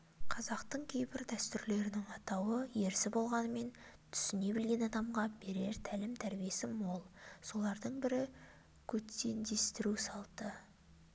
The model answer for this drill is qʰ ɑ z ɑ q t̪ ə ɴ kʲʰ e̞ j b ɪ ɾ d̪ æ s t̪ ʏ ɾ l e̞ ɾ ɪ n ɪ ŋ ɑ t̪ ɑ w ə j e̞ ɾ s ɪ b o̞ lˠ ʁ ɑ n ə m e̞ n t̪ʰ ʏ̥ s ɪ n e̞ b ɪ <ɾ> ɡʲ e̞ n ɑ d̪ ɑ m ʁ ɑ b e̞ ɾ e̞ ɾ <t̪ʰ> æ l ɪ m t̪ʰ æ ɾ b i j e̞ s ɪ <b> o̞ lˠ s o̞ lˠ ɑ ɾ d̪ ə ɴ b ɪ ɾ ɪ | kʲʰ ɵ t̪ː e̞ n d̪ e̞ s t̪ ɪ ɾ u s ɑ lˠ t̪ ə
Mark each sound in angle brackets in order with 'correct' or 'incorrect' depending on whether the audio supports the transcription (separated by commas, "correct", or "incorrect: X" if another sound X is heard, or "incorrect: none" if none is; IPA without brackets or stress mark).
incorrect: l, correct, incorrect: m